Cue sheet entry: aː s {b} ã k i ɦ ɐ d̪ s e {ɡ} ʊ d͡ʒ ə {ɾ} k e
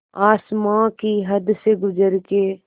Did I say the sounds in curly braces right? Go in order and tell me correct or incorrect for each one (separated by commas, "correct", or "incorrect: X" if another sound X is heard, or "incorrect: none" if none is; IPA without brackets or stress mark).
incorrect: m, correct, correct